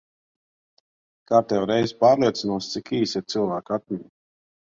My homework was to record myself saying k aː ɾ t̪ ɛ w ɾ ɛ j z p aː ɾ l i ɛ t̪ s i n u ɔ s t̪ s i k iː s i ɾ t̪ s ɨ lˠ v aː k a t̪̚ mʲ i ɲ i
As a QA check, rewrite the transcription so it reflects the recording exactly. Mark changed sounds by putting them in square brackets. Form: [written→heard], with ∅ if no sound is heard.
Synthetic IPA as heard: k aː ɾ t̪ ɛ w ɾ ɛ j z p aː ɾ l i ɛ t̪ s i n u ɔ s t̪ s i k iː s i ɾ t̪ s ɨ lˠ v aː k a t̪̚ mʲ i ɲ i